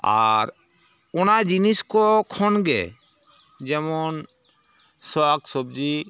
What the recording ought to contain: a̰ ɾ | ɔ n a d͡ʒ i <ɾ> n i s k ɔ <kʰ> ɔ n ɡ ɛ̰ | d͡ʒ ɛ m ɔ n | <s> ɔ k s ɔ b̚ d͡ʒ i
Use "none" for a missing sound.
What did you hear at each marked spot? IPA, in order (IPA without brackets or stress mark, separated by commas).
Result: none, kʰ, s